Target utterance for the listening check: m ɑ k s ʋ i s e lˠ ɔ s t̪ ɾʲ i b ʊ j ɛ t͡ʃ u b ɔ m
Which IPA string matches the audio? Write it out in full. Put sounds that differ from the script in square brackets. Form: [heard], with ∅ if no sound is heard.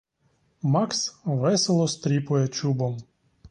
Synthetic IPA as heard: m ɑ k s ʋ [ɛ] s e lˠ ɔ s t̪ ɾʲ i [p] ʊ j ɛ t͡ʃ u b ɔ m